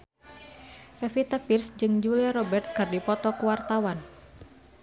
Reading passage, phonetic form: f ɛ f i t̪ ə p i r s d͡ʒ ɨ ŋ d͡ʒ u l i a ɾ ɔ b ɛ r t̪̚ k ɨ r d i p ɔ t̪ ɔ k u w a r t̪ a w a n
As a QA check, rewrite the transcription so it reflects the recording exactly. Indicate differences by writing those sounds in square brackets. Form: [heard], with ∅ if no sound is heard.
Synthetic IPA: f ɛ f i t̪ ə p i r s d͡ʒ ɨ ŋ d͡ʒ u l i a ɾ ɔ b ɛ r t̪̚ k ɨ r d i p ɔ t̪ ɔ k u w a r t̪ a w a n